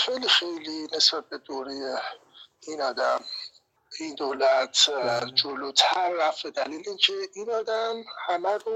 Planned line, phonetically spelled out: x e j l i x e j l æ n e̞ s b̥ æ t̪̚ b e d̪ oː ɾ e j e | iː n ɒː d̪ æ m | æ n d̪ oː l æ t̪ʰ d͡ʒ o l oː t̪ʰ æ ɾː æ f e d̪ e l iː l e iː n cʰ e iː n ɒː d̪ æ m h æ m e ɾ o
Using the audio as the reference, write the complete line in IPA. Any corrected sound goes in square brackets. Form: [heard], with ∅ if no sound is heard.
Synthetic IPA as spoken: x e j l i x e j l [i] n e̞ s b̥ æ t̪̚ b e d̪ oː ɾ e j e | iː n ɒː d̪ æ m | [i] n d̪ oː l æ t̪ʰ d͡ʒ o l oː t̪ʰ æ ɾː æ f e d̪ [æ] l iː l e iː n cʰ e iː n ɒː d̪ æ m h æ m [æ] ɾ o